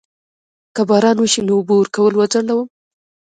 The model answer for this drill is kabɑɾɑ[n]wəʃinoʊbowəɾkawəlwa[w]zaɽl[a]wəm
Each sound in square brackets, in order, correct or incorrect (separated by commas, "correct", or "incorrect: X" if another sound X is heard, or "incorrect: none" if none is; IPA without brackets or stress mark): correct, incorrect: none, correct